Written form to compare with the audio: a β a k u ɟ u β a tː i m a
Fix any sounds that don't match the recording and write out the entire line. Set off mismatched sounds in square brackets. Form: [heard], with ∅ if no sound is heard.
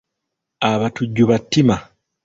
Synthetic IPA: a β a [t] u [ɟː] u β a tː i m a